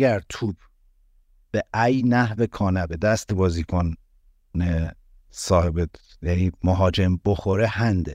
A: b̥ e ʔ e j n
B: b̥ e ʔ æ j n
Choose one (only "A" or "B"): B